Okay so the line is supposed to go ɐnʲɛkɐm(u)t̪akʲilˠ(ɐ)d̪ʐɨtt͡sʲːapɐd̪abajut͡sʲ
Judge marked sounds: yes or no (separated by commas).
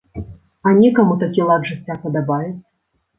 yes, no